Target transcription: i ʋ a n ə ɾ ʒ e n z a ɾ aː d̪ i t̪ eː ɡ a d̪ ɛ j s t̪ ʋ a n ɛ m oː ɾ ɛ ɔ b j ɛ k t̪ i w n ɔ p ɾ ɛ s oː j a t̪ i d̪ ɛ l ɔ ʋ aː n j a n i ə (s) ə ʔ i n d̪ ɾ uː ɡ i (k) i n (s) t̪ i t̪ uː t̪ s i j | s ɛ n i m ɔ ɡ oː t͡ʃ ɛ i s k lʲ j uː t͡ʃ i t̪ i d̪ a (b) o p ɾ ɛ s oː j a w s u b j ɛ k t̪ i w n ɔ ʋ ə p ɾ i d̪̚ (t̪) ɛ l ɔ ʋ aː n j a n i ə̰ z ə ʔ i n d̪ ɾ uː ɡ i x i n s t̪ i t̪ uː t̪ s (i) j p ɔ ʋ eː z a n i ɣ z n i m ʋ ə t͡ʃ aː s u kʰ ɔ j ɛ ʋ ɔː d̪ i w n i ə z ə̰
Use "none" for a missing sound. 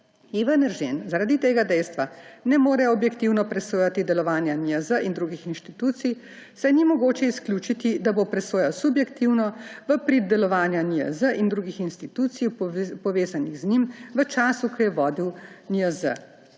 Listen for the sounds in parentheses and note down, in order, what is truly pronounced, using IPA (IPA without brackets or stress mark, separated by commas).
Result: z, x, ʃ, b, d̪, i